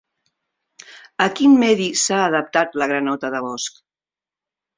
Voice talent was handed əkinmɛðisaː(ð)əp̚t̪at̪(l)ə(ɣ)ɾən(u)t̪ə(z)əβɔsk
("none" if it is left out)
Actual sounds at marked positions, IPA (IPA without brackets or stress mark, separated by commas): ð, l, ɣ, ɔ, ð